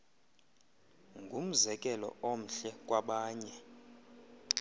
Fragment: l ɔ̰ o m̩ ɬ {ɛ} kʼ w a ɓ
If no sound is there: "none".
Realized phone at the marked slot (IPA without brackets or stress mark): ɛ